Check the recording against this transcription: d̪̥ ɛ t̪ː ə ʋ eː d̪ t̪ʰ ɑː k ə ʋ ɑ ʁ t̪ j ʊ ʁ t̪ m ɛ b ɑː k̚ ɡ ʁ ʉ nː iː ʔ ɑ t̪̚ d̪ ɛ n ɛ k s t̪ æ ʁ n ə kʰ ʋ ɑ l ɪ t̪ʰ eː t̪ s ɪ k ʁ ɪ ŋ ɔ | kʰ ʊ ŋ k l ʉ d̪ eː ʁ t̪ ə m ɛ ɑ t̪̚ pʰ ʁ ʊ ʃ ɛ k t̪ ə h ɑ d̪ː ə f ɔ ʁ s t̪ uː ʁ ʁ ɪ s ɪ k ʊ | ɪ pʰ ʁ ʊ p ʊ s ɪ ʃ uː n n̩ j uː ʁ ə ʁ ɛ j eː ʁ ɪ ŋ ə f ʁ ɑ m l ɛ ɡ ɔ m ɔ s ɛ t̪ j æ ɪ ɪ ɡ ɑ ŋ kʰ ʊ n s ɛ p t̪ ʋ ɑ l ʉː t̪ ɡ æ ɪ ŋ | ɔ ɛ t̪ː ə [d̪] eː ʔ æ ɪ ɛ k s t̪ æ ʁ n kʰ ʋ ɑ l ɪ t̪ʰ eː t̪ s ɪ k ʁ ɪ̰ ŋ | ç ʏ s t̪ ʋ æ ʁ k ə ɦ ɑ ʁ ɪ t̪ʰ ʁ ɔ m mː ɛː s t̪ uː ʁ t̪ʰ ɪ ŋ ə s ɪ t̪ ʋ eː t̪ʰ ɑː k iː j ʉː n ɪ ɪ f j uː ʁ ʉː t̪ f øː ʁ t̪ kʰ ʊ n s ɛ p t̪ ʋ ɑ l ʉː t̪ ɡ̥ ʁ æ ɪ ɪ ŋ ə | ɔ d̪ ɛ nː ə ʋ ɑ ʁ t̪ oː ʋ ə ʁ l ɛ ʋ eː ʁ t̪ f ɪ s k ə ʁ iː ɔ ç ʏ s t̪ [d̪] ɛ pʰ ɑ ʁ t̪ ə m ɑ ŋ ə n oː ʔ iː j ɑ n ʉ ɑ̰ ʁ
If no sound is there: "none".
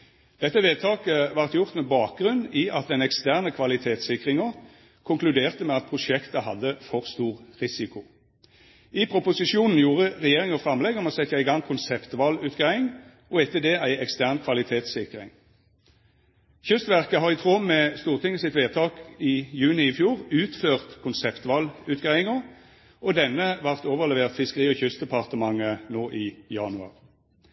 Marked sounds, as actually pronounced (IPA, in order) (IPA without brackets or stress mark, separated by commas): d̪, d̪